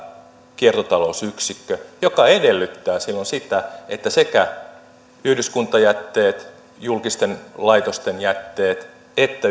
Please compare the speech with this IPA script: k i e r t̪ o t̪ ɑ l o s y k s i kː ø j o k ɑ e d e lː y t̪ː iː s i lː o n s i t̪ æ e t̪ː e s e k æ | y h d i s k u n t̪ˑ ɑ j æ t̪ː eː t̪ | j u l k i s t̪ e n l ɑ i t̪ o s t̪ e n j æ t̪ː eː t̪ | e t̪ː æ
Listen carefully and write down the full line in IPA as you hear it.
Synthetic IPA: k i e r t̪ o t̪ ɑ l o s y k s i kː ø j o k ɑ e d e lː y t̪ː æː s i lː o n s i t̪ æ e t̪ː æ s e k æ | y h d y s k u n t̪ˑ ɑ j æ t̪ː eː t̪ | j u l k i s t̪ e n l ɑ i t̪ o s t̪ e n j æ t̪ː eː t̪ | e t̪ː æ

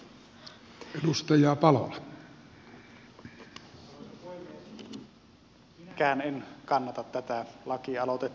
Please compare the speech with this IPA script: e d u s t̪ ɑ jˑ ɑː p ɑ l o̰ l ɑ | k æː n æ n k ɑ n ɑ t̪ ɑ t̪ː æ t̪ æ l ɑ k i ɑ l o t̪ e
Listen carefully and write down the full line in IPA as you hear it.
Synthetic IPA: e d u s t̪ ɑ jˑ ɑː p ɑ l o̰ l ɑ | k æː n e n k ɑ nː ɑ t̪ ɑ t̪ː æ t̪ æ l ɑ k i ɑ l o t̪ e

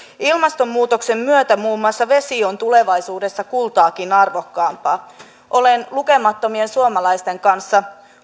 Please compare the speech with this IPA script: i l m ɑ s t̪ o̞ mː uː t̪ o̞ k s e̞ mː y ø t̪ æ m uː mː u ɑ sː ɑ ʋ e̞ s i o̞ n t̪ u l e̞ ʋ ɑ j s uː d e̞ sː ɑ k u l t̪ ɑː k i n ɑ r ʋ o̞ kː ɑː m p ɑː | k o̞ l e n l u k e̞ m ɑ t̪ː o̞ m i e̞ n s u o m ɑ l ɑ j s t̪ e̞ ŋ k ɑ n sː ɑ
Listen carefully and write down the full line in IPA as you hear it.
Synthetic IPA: i l m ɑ s t̪ o̞ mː uː t̪ o̞ k s e̞ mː y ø t̪ æ m uː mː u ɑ sː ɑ ʋ e̞ s i o̞ n t̪ u l e̞ ʋ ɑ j s uː d e̞ sː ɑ k u l t̪ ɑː k i n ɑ r ʋ o̞ kː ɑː m p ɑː | ʔ o̞ l e n l u k e̞ m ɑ t̪ː o̞ m i e̞ n s u o m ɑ l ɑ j s t̪ e̞ ŋ k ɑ n sː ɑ

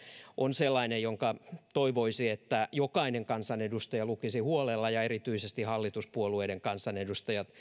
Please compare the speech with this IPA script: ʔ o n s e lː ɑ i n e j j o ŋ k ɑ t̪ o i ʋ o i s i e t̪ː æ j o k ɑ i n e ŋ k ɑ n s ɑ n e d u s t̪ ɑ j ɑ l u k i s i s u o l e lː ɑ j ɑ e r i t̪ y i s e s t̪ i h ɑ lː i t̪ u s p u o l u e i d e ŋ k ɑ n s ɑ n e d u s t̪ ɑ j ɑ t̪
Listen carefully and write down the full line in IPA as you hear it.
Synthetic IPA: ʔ o n s e lː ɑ i n e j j o ŋ k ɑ t̪ o i ʋ o i s i e t̪ː æ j o k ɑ i n e ŋ k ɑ n s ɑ n e d u s t̪ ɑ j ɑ l u k i s i h u o l e lː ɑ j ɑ e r i t̪ y i s e s t̪ i h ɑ lː i t̪ u s p u o l u e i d e ŋ k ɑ n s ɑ n e d u s t̪ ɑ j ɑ t̪

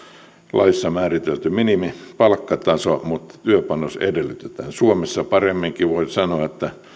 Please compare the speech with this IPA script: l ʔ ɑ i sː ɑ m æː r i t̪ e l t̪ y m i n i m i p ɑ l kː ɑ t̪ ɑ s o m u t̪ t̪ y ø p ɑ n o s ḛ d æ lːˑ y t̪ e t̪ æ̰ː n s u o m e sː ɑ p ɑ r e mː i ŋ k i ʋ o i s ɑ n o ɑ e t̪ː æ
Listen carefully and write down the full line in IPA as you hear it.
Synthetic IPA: l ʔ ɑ i sː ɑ m æː r i t̪ e l t̪ y m i n i m i p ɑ l kː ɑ t̪ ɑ s o m u t̪ t̪ y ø p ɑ n o s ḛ d e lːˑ y t̪ e t̪ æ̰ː n s u o m e sː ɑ p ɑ r e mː i ŋ k i ʋ o i s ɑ n o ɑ e t̪ː æ

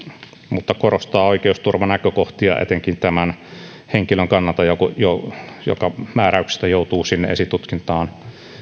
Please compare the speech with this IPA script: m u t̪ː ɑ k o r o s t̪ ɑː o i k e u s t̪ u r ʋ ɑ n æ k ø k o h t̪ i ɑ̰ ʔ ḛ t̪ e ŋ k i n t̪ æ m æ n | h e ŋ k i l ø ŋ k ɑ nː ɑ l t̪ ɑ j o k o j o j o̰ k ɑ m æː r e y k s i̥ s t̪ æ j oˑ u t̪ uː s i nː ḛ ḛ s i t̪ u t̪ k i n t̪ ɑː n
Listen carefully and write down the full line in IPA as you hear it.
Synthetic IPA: m u t̪ː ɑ k o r o s t̪ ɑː o i k e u s t̪ u r ʋ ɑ n æ k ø k o h t̪ i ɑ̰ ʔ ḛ t̪ e ŋ k i n t̪ æ m æ n | h e ŋ k i l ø ŋ k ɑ nː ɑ l t̪ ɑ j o k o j o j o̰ k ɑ m æː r æ y k s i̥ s t̪ æ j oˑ u t̪ uː s i nː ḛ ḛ s i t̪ u t̪ k i n t̪ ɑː n

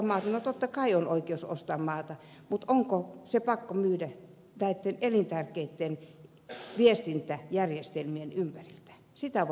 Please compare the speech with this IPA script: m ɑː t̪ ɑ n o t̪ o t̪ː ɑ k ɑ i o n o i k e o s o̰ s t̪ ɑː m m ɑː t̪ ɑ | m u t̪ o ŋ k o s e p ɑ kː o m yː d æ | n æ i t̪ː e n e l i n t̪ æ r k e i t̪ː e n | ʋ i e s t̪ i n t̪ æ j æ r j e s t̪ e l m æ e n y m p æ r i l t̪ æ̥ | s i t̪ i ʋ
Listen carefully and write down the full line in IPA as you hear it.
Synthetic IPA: m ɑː t̪ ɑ n o t̪ o t̪ː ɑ k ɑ i o n o i k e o s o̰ s t̪ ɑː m m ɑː t̪ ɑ | m u t̪ o ŋ k o s e p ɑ kː o m yː d æ | n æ i t̪ː e n e l i n t̪ æ r k e i t̪ː e n | ʋ i e s t̪ i n t̪ æ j æ r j e s t̪ e l m i e n y m p æ r i l t̪ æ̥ | s i t̪ æ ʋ

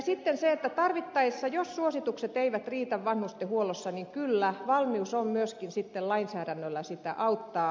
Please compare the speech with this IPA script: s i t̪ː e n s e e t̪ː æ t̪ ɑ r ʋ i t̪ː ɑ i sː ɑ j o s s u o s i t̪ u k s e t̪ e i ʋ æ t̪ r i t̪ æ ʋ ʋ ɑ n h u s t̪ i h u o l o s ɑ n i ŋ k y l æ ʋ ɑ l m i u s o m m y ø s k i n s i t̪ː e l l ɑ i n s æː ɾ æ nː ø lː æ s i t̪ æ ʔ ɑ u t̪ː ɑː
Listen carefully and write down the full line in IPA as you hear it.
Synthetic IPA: s i t̪ː e n s e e t̪ː æ t̪ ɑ r ʋ i t̪ː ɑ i sː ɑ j o s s u o s i t̪ u k s e t̪ e i ʋ æ t̪ r iː t̪ æ ʋ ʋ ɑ n h u s t̪ e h u o l o sː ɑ n i ŋ k y lː æ ʋ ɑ l m i u s o m m y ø s k i n s i t̪ː e l l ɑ i n s æː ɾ æ nː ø lː æ s i t̪ æ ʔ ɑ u t̪ː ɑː

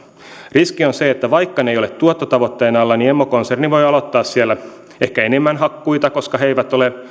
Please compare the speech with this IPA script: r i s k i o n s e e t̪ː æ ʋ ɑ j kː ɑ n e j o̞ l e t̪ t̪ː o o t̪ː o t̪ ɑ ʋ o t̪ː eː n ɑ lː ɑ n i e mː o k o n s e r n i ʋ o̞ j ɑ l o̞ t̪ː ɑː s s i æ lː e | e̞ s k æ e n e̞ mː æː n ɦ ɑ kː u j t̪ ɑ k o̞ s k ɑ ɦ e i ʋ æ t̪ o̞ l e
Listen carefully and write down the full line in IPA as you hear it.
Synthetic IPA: r i s k i o n s e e t̪ː æ ʋ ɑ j kː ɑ n e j o̞ l e t̪ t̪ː u o t̪ː o t̪ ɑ ʋ o t̪ː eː n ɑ lː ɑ n i e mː o k o n s e r n i ʋ o̞ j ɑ l o̞ t̪ː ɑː s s i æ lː æ | e̞ h k æ e n e̞ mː æ n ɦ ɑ kː u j t̪ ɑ k o̞ s k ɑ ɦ e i ʋ æ t̪ o̞ l e

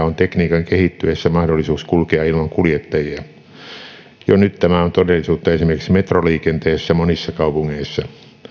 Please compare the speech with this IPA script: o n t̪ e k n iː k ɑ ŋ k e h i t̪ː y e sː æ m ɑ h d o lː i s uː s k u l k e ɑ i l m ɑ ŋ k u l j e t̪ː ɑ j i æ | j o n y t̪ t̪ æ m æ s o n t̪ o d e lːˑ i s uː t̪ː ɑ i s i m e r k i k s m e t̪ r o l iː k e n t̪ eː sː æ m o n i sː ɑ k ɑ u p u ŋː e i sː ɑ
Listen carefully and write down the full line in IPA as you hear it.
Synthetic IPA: o n t̪ e k n iː k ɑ ŋ k e h i t̪ː y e sː æ m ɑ h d o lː i s uː s k u l k e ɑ i l m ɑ ŋ k u l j e t̪ː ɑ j i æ | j o n y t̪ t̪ æ m æ o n t̪ o d e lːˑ i s uː t̪ː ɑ e s i m e r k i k s m e t̪ r o l iː k e n t̪ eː sː æ m o n i sː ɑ k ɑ u p u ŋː e i sː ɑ

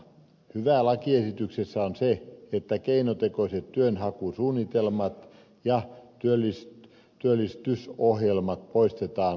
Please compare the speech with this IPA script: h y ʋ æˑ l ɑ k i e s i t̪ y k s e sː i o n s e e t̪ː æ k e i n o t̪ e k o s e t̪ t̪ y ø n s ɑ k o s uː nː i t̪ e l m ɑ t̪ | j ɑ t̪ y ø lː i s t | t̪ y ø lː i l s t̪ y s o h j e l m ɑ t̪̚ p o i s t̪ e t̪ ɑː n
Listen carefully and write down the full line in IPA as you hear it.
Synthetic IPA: h y ʋ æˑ l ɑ k i e s i t̪ y k s e sː æ o n s e e t̪ː æ k e i n o t̪ e k o s e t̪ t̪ y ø n h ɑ k u s uː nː i t̪ e l m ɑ t̪ | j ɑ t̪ y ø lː i s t | t̪ y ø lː i s t̪ y s o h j e l m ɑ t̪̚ p o i s t̪ e t̪ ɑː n

